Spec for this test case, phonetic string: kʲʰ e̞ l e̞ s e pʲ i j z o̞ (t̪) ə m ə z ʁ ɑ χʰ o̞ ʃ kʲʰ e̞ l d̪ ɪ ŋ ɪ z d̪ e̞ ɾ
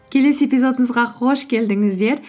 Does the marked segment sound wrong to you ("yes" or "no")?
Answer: yes